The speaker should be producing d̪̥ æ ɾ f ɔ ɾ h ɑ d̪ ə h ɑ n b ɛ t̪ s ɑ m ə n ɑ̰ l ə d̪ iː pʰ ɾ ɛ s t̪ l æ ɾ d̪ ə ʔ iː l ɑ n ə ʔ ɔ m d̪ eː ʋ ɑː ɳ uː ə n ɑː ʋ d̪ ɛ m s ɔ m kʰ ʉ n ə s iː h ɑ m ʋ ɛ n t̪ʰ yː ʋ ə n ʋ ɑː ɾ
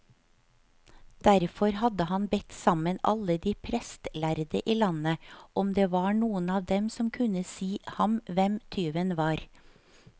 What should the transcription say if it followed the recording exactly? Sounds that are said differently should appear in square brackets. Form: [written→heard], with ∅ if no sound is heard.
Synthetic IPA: d̪̥ æ ɾ f ɔ ɾ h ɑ d̪ ə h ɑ n b ɛ t̪ s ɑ m ə n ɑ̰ l ə d̪ iː pʰ ɾ ɛ s t̪ l æ ɾ d̪ ə ʔ iː l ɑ n ə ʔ ɔ m d̪ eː ʋ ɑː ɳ uː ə n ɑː ʋ d̪ ɛ m s ɔ m kʰ ʉ n ə s iː h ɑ m ʋ ɛ [n→m] t̪ʰ yː ʋ ə n ʋ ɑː ɾ